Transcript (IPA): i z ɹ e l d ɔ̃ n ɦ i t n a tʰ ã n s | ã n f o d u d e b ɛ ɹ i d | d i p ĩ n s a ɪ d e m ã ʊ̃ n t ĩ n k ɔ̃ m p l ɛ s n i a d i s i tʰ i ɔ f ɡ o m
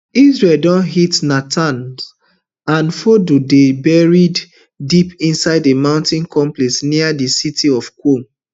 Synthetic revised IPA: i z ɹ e l d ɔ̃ n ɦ i t n a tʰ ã n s | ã n f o d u d e b ɛ ɹ i d | d i p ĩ n s a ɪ d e m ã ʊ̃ n t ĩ n k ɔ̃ m p l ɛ s n i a d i s i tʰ i ɔ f k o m

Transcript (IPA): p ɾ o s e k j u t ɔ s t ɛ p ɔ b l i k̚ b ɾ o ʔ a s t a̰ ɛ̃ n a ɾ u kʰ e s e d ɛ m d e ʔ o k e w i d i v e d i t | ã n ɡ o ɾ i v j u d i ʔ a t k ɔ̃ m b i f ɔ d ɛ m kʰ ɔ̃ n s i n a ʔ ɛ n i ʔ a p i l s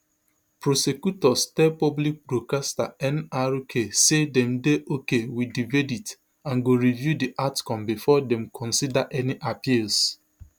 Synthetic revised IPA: p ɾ o s e k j u t ɔ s t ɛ p ɔ b l i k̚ b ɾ o k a s t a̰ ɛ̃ n a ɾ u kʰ e s e d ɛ m d e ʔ o k e w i d i v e d i t | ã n ɡ o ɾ i v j u d i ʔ a t k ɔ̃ m b i f ɔ d ɛ m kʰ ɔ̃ n s i d a ʔ ɛ n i ʔ a p i l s

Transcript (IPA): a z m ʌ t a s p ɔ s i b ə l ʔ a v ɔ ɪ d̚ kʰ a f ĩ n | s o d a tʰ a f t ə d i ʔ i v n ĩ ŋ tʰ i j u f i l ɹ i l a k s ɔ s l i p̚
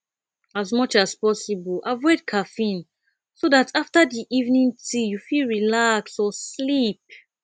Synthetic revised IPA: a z m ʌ t͡ʃ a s p ɔ s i b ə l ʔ a v ɔ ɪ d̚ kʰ a f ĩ n | s o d a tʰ a f t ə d i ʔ i v n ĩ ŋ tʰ i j u f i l ɹ i l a k s ɔ s l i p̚

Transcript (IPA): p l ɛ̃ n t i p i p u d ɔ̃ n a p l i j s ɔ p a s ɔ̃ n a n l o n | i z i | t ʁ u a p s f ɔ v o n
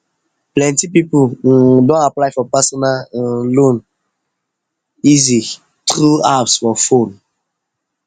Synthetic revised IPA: p l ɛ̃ n t i p i p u d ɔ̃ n a p l a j f ɔ p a s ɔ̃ n a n l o n | i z i | t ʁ u a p s f ɔ f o n

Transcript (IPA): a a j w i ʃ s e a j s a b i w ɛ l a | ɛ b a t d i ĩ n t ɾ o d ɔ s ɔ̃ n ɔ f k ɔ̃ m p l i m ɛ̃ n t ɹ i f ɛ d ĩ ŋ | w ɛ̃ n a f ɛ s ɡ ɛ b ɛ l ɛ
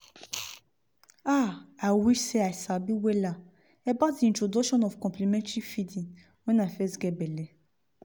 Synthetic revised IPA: a a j w i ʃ s e a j s a b i w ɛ l a | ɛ b a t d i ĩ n t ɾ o d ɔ ʃ ɔ̃ n ɔ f k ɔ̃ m p l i m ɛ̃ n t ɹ i f i d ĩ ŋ | w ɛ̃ n a f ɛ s ɡ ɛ b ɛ l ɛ

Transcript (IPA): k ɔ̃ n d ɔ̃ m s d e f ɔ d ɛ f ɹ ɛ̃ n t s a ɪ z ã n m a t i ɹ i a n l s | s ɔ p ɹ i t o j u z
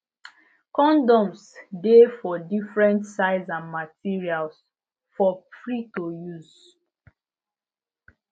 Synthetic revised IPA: k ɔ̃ n d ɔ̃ m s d e f ɔ d i f ɹ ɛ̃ n t s a ɪ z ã n m a t i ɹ i a l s | f ɔ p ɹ i t o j u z

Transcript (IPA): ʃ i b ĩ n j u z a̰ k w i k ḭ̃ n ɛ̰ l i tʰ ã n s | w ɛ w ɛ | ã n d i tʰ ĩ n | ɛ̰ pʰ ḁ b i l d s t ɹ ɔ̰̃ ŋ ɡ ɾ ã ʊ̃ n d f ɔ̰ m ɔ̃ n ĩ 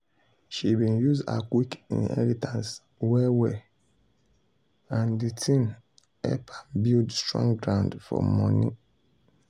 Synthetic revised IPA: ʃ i b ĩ n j u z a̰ k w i k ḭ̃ n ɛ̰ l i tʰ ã n s | w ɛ w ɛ | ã n d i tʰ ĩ n | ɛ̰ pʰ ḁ b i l d s t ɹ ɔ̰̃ ŋ ɡ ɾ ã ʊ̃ n d f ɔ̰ m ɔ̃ n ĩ

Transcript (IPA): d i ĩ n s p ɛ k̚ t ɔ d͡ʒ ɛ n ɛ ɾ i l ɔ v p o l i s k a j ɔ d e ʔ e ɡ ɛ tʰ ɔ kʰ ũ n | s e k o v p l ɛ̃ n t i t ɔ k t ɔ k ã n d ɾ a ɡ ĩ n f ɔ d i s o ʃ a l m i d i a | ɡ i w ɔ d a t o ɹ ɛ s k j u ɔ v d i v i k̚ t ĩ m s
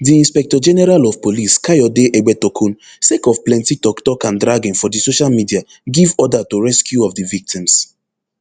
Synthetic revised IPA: d i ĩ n s p ɛ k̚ t ɔ d͡ʒ ɛ n ɛ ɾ a l ɔ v p o l i s k a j ɔ d e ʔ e ɡ͡b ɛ t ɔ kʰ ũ n | s e k ɔ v p l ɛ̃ n t i t ɔ k t ɔ k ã n d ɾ a ɡ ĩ n f ɔ d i s o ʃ a l m i d i a | ɡ i v ɔ d a t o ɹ ɛ s k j u ɔ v d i v i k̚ t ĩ m s

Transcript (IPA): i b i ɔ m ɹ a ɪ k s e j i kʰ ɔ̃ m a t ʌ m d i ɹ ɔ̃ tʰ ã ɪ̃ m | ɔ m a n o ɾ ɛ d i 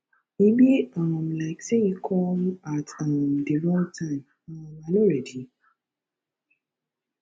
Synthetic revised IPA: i b i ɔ m l a ɪ k s e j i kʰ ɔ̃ m a t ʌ m d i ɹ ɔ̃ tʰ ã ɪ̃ m | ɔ m a n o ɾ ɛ d i

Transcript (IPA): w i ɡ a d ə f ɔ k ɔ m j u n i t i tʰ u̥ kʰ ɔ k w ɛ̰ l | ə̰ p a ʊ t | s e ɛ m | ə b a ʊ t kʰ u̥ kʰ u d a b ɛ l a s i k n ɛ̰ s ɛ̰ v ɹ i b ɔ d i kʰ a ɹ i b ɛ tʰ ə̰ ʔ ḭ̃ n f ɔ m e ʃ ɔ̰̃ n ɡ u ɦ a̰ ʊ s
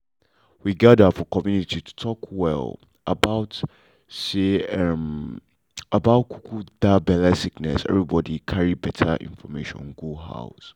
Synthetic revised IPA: w i ɡ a d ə f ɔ k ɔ m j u n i t i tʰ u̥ tʰ ɔ k w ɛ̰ l | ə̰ b a ʊ t | s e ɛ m | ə b a ʊ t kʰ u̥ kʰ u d a b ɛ l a s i k n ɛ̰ s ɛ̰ v ɹ i b ɔ d i kʰ a ɹ i b ɛ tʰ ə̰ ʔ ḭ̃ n f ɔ m e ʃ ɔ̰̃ n ɡ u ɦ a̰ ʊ s

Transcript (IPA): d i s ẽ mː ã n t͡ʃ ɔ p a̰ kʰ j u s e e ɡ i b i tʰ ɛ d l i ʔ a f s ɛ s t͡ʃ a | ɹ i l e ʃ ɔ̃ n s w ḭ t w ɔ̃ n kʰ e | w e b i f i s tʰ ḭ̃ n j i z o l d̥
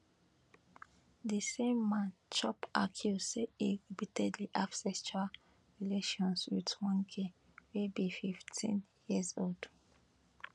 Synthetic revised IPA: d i s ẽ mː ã n t͡ʃ ɔ p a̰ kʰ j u s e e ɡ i b i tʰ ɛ d l i ʔ a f s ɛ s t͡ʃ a | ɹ i l e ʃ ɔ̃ n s w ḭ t w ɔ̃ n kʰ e | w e b i f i f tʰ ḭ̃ n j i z o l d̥

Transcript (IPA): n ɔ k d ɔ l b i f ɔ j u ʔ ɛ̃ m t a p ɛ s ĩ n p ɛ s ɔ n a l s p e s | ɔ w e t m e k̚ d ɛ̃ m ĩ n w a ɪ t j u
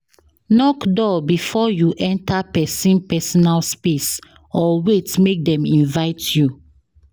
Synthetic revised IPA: n ɔ k d ɔ b i f ɔ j u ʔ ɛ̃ n t a p ɛ s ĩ n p ɛ s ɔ n a l s p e s | ɔ w e t m e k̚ d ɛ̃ m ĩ n v a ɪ t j u

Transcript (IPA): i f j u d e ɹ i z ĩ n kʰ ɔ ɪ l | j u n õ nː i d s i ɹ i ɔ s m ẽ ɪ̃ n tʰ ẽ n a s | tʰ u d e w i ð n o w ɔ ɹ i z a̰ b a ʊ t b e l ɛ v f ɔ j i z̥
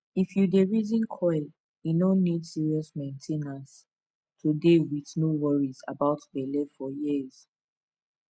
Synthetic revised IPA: i f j u d e ɹ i z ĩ n kʰ ɔ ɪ l | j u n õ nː i d s i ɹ i ɔ s m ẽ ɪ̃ n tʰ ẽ n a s | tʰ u d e w i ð n o w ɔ ɹ i z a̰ b a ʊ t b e l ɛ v f ɔ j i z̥

